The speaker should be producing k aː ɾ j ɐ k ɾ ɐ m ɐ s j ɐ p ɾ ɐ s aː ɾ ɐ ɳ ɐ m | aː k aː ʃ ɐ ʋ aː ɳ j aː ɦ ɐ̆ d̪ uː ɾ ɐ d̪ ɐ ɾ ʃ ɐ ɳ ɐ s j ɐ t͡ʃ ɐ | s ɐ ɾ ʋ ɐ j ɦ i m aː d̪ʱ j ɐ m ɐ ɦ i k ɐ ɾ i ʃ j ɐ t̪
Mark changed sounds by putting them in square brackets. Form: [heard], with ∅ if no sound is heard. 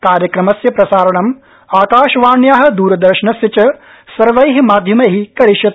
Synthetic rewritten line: k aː ɾ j ɐ k ɾ ɐ m ɐ s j ɐ p ɾ ɐ s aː ɾ ɐ ɳ ɐ m | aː k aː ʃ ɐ ʋ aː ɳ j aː ɦ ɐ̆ d̪ uː ɾ ɐ d̪ ɐ ɾ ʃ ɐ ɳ ɐ s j ɐ t͡ʃ ɐ | s ɐ ɾ ʋ ɐ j ɦ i m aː d̪ʱ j ɐ m ɐ ɦ i k ɐ ɾ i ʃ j ɐ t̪